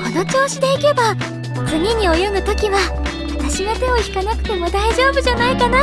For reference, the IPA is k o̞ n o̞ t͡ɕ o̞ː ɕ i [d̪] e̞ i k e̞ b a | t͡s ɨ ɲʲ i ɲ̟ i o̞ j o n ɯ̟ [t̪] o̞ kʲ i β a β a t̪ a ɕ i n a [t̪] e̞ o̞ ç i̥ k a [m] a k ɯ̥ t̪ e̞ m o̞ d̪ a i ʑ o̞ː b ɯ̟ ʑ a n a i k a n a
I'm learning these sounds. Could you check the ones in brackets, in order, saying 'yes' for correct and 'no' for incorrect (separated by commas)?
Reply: yes, yes, yes, no